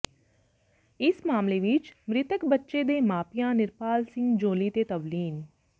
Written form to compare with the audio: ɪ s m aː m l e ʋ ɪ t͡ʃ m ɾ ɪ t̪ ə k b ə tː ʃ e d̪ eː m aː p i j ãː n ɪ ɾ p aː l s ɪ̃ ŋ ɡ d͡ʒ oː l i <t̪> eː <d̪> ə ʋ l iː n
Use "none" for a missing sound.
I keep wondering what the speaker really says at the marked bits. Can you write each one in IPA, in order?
t̪, t̪

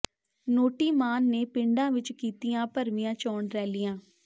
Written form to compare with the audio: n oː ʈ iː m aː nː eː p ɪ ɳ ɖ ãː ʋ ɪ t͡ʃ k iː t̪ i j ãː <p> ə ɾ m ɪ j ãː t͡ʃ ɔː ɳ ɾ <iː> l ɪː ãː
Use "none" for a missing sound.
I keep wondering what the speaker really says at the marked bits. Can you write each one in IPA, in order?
p, ɛː

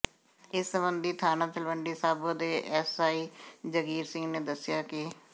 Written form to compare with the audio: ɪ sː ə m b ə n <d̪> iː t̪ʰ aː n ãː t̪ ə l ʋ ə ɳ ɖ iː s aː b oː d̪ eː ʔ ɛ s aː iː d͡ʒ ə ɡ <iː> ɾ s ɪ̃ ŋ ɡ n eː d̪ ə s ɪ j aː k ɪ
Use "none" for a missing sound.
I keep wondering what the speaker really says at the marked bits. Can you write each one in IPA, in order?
d̪, iː

